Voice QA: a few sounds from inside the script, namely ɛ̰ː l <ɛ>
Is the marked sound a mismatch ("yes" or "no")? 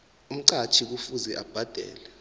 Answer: no